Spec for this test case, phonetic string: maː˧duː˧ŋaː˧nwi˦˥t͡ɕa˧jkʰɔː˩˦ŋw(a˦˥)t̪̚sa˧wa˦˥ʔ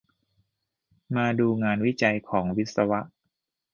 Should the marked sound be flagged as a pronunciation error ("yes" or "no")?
yes